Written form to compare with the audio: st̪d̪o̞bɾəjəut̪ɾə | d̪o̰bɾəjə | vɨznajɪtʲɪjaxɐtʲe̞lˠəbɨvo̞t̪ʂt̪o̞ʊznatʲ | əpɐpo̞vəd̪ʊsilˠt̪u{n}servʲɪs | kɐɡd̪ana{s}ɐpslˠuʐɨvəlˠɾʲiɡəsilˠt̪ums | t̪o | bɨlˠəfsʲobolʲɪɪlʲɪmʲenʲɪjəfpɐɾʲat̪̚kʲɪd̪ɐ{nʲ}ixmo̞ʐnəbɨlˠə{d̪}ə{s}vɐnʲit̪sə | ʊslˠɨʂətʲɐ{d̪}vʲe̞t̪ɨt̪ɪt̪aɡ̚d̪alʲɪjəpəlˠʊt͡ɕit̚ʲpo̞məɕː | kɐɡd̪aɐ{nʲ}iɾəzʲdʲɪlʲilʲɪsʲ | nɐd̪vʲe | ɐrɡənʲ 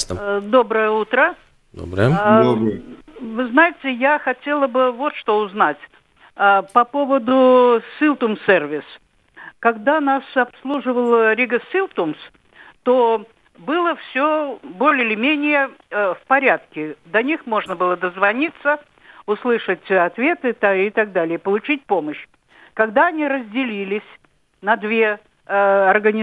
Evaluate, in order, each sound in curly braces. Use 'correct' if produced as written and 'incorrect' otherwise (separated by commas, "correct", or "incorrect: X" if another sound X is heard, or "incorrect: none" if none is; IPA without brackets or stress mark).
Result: incorrect: m, correct, correct, correct, incorrect: z, incorrect: t̪, correct